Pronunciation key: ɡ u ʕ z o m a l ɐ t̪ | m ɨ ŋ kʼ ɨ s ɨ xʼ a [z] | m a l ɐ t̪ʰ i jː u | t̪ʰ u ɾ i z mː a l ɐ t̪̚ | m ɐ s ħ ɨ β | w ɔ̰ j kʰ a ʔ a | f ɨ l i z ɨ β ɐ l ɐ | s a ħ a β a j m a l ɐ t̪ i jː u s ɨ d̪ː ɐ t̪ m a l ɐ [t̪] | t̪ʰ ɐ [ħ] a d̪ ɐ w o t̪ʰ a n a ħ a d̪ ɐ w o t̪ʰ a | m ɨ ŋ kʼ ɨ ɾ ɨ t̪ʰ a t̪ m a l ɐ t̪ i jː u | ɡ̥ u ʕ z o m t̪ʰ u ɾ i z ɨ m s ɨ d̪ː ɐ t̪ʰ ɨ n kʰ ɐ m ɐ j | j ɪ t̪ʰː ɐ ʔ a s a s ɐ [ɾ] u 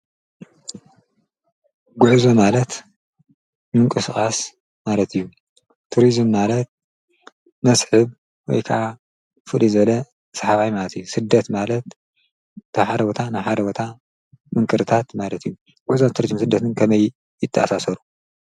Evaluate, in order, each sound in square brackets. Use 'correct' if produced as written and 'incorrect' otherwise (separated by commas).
incorrect, correct, correct, correct